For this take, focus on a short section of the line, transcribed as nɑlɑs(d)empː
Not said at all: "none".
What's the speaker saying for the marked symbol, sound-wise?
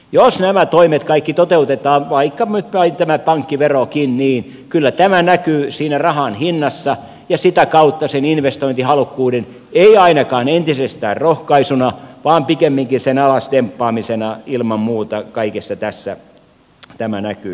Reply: d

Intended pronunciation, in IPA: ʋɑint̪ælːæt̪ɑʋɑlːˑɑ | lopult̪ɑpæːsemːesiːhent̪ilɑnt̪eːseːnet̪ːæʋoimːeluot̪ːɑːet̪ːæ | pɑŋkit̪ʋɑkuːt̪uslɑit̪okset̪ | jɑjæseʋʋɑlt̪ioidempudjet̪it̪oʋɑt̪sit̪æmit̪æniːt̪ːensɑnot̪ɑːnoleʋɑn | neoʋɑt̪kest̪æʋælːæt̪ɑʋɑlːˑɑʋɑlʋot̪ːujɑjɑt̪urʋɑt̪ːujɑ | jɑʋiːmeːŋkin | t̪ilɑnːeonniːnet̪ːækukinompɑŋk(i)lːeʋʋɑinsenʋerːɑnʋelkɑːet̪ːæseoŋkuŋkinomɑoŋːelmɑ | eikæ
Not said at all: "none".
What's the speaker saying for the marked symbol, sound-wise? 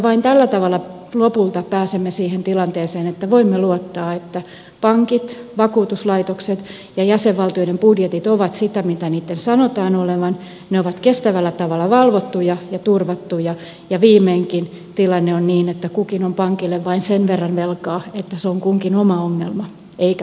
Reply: i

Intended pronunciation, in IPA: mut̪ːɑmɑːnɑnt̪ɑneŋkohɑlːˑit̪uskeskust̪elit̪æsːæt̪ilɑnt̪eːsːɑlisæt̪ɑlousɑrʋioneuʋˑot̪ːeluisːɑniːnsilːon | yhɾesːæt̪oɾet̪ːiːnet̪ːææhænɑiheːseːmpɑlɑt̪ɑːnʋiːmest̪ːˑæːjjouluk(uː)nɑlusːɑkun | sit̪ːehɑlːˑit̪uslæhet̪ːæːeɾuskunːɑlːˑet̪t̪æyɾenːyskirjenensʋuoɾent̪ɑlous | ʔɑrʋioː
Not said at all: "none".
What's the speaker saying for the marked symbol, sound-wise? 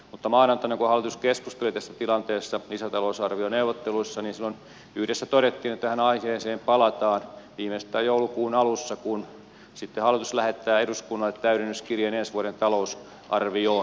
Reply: uː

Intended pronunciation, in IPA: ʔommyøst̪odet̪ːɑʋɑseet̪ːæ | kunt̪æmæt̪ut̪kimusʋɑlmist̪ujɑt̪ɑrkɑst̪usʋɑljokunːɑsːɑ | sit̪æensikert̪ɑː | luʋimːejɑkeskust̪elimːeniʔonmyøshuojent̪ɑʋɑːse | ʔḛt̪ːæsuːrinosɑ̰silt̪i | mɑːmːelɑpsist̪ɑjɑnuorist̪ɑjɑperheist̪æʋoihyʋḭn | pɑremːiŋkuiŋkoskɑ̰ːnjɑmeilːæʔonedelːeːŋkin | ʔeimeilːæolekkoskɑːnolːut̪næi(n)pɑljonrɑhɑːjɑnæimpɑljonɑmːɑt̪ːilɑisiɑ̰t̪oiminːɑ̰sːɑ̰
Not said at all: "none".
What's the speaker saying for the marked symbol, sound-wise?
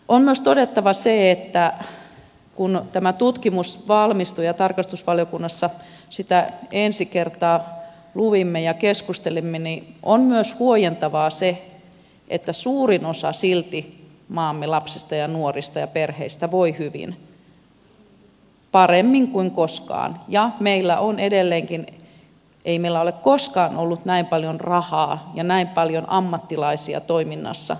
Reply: m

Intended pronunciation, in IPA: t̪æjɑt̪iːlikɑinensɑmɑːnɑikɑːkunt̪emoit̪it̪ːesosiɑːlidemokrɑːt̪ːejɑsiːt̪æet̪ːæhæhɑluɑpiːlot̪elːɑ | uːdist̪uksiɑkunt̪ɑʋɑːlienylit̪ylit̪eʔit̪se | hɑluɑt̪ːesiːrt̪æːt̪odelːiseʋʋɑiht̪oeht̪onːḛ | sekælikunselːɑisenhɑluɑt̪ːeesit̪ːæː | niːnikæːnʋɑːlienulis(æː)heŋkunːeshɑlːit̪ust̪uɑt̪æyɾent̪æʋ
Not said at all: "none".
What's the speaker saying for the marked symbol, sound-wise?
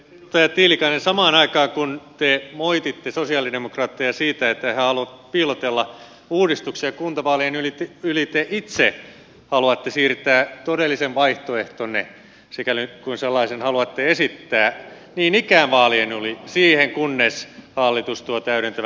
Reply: iː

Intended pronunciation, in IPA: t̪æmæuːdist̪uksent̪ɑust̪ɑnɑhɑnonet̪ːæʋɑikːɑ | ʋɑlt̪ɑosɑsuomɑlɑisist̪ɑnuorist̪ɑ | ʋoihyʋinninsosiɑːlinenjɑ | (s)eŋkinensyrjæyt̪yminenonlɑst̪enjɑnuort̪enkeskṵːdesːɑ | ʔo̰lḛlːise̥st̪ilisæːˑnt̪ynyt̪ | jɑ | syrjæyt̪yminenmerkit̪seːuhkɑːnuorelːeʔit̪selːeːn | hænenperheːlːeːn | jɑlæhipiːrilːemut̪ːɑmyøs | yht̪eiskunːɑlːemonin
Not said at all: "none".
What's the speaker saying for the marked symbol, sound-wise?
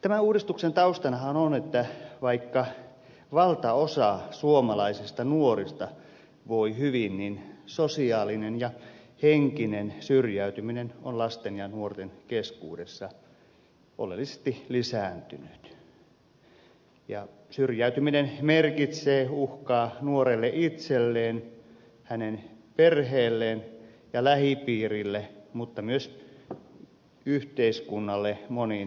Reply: h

